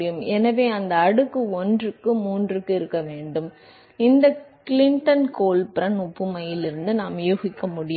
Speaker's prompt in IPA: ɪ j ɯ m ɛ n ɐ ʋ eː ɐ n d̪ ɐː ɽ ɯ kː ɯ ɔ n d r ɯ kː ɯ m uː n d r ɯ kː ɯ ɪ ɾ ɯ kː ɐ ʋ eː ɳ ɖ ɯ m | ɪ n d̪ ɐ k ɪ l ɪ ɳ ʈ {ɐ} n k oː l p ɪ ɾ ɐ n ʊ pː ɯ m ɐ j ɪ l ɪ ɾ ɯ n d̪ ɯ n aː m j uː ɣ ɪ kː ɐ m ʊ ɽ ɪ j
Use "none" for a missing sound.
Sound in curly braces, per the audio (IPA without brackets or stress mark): ɐ